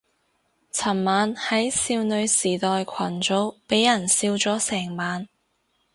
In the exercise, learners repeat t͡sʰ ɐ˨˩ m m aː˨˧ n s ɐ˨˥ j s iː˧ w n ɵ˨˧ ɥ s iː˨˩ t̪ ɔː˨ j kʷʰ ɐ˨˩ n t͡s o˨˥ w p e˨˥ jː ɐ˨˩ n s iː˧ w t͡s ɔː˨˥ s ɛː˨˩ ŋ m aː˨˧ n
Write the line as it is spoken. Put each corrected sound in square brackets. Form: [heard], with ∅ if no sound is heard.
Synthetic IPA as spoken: t͡sʰ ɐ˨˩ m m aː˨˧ n [h] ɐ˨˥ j s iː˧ w n ɵ˨˧ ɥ s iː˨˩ t̪ ɔː˨ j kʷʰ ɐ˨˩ n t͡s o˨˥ w p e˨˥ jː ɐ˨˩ n s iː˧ w t͡s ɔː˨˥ s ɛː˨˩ ŋ m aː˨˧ n